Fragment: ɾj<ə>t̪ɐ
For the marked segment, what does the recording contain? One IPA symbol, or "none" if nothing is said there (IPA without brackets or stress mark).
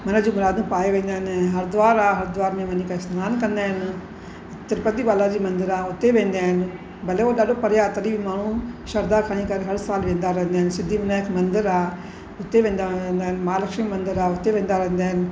a